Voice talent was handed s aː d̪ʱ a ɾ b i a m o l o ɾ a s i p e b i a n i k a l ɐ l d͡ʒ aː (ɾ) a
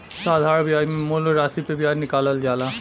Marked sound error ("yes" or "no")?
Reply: yes